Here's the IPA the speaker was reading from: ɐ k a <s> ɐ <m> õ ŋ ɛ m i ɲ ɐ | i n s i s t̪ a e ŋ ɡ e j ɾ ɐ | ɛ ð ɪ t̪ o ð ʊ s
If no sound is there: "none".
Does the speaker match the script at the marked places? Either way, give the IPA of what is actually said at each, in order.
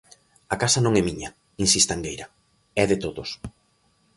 s, n

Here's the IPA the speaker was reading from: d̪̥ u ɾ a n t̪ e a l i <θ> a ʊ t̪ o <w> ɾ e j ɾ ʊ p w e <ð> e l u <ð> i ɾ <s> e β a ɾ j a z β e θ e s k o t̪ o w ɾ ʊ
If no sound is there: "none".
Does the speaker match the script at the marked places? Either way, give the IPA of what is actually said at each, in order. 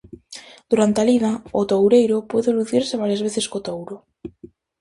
ð, w, ð, θ, s

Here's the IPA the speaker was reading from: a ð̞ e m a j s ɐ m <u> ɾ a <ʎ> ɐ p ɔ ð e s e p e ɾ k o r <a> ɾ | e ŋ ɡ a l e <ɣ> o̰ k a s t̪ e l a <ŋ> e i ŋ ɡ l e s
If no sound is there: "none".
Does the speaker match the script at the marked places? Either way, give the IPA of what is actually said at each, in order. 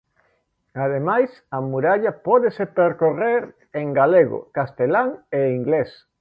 u, ʎ, e, ɣ, ŋ

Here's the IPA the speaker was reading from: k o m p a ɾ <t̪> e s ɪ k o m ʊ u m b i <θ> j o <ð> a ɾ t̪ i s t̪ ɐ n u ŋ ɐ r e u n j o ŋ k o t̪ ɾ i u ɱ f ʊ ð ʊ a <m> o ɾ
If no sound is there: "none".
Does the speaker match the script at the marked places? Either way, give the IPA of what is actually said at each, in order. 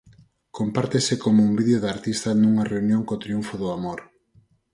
t̪, ð, ð, m

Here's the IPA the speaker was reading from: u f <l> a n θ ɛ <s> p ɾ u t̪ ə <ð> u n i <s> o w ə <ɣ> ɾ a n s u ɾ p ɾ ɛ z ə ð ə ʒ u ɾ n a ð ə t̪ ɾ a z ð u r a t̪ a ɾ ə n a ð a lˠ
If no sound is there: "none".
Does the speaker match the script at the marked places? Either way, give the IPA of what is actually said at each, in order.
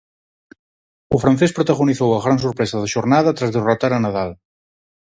ɾ, s, ɣ, θ, ɣ

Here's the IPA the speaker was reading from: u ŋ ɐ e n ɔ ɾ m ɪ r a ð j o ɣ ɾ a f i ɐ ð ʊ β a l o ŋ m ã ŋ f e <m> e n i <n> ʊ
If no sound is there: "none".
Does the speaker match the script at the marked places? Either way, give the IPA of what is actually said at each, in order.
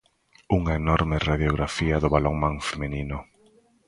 m, n

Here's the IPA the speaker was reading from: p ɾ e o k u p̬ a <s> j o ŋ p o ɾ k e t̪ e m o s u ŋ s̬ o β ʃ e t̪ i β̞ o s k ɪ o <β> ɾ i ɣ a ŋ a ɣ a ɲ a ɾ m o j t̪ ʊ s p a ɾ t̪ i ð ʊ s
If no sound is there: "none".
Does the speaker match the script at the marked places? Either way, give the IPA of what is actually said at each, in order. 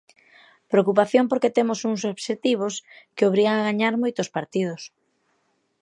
θ, β

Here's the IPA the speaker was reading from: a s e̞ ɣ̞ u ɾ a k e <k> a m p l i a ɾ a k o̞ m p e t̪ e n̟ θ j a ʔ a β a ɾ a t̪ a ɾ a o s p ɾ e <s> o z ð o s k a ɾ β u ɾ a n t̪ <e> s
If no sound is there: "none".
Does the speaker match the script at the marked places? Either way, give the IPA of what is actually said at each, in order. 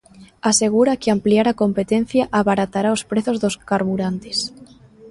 none, θ, e

